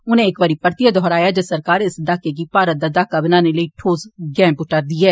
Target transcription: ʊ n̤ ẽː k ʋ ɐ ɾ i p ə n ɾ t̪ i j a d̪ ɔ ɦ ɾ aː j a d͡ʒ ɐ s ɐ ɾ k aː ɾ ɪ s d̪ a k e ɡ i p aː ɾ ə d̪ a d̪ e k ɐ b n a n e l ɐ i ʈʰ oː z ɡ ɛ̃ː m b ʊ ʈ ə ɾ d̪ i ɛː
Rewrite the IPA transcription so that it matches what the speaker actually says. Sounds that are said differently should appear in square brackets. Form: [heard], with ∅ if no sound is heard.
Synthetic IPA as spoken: ʊ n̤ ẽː k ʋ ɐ ɾ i p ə [∅] ɾ t̪ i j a d̪ ɔ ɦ ɾ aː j a d͡ʒ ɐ s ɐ ɾ k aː ɾ ɪ s d̪ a k e ɡ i p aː ɾ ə d̪ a d̪ [a] k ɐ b n a n e l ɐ i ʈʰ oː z ɡ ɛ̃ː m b ʊ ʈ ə ɾ d̪ i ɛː